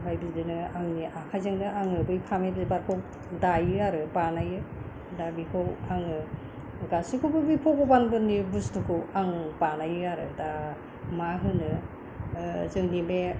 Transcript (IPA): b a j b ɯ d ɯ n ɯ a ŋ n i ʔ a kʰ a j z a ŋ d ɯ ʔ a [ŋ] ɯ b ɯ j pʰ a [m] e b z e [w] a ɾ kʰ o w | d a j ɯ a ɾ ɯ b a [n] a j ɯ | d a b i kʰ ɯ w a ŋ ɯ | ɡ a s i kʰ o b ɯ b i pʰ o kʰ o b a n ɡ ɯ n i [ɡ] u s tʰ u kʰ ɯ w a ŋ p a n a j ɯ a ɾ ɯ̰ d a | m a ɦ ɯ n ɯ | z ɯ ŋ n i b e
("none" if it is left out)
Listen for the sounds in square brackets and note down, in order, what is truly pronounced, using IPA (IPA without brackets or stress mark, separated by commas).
ŋ, m, b, n, b